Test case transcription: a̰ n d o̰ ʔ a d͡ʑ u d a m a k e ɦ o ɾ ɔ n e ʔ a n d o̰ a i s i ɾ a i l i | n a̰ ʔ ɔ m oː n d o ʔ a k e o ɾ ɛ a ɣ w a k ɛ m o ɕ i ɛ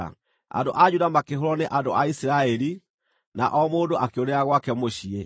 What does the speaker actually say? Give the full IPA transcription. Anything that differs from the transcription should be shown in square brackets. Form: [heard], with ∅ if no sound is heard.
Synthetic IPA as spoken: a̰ n d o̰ ʔ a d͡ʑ u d a m a k e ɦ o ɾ ɔ n e ʔ a n d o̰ a i s i ɾ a [ɛ] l i | n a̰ ʔ ɔ m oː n d o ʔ a k e o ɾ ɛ a ɣ w a k ɛ m o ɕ i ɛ